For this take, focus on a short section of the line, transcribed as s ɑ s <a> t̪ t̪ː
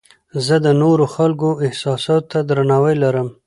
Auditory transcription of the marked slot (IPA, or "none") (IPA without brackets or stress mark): ɑ